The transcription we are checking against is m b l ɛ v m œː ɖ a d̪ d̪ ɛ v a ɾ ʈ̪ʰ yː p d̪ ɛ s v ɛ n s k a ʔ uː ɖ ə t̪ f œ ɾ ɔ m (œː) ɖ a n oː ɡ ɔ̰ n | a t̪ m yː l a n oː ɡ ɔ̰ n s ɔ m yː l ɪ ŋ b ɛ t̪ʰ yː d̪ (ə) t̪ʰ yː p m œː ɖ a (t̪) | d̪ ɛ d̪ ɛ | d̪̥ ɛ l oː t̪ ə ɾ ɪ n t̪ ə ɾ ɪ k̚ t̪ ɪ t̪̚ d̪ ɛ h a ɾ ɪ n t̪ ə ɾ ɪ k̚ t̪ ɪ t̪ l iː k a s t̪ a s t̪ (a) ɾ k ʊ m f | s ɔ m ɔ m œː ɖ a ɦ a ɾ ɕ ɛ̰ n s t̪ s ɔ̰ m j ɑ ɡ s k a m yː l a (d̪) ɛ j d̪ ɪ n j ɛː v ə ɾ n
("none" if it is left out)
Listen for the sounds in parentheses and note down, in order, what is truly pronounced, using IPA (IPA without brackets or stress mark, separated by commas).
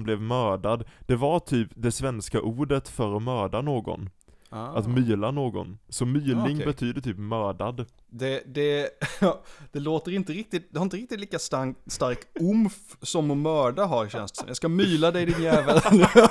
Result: œː, ə, d̪, a, d̪